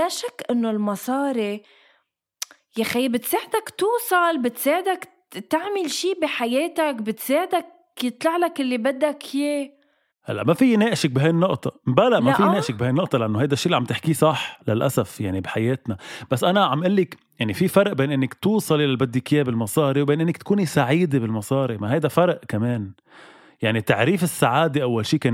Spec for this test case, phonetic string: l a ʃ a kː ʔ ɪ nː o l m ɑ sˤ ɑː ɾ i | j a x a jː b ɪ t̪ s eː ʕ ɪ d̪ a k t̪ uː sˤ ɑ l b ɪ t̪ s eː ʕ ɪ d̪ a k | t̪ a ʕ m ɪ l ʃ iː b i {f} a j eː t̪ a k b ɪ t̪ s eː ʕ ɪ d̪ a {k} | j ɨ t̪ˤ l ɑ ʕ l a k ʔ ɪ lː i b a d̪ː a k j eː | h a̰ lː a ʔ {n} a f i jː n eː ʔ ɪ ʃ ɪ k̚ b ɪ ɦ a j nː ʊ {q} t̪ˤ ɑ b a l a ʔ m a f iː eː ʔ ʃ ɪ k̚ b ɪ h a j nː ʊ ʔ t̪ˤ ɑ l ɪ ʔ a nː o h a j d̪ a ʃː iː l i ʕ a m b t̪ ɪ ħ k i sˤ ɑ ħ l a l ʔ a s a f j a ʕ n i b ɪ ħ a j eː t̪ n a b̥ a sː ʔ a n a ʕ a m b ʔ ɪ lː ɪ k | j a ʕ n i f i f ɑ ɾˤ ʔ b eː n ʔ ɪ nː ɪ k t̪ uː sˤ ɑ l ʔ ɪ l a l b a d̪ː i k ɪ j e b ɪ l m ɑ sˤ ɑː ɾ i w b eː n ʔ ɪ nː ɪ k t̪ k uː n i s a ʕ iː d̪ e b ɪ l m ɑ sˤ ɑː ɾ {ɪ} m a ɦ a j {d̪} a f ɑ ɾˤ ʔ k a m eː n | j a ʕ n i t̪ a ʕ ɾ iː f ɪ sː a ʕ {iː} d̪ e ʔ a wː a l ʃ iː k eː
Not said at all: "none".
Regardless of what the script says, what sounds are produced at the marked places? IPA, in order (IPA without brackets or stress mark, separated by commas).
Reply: ħ, k, m, ʔ, i, d̪, aː